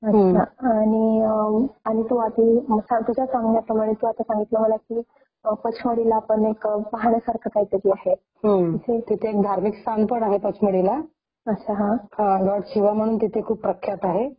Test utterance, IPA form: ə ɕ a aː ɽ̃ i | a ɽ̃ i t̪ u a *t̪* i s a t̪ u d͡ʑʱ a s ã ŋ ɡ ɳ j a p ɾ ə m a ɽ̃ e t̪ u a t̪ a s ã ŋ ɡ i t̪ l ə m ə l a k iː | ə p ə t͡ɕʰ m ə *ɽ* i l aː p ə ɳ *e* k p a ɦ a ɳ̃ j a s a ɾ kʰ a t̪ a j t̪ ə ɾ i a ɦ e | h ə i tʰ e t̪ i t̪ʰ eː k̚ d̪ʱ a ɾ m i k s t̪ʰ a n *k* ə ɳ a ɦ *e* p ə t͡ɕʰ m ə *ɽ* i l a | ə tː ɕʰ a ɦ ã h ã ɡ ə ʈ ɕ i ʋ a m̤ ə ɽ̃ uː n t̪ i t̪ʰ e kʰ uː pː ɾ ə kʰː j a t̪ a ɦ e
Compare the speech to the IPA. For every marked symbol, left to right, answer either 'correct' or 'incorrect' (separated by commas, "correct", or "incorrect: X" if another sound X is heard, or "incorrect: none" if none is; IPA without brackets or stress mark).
correct, correct, correct, incorrect: p, correct, correct